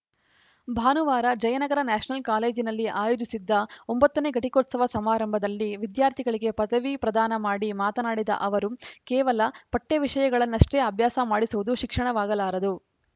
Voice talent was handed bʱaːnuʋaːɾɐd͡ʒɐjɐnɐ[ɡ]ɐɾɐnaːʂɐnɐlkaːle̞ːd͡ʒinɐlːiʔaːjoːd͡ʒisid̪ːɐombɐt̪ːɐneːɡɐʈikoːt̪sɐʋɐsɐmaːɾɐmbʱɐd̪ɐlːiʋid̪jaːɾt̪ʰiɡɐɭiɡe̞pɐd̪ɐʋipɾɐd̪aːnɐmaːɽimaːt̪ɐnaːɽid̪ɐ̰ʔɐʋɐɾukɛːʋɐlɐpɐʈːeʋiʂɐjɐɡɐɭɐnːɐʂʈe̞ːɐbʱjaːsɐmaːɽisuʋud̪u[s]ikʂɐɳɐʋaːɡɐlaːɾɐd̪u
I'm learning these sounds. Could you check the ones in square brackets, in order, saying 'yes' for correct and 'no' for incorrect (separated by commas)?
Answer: yes, no